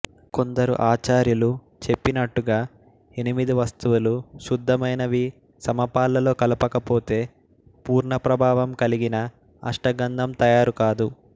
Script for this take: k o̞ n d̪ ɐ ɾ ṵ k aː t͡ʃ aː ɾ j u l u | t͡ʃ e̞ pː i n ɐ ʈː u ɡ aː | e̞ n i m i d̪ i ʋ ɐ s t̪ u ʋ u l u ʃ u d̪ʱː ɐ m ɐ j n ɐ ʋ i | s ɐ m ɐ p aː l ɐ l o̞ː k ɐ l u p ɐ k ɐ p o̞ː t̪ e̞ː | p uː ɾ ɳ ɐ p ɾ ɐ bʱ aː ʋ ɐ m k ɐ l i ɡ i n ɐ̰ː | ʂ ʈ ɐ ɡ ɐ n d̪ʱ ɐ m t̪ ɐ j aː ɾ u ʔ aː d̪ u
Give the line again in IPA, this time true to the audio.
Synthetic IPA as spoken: k o̞ n d̪ ɐ ɾ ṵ ʔ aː t͡ʃ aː ɾ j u l u | t͡ʃ e̞ pː i n ɐ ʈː u ɡ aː | e̞ n i m i d̪ i ʋ ɐ s t̪ u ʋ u l u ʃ u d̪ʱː ɐ m ɐ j n ɐ ʋ i | s ɐ m ɐ p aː l ɐ l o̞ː k ɐ l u p ɐ k ɐ p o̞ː t̪ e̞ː | p uː ɾ ɳ ɐ p ɾ ɐ bʱ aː ʋ ɐ m k ɐ l i ɡ i n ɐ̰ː | ʂ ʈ ɐ ɡ ɐ n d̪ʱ ɐ m t̪ ɐ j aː ɾ u k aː d̪ u